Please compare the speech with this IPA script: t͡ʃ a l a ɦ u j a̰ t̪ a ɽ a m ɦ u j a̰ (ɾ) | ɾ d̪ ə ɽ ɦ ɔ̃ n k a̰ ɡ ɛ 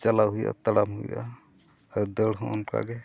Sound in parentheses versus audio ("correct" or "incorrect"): incorrect